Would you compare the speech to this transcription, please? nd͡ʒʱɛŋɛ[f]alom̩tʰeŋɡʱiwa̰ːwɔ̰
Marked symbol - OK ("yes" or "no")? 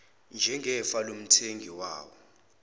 yes